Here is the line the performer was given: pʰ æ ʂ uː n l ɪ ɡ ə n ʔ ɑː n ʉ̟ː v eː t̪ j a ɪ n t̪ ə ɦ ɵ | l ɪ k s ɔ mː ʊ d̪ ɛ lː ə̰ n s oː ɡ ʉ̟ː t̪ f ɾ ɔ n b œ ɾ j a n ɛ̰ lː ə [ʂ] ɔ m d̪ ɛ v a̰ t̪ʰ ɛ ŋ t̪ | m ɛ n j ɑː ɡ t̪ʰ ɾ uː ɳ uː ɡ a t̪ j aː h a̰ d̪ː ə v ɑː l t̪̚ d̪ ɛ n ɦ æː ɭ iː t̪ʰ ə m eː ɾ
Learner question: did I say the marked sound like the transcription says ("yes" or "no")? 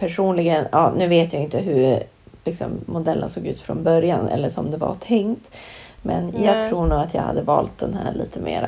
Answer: yes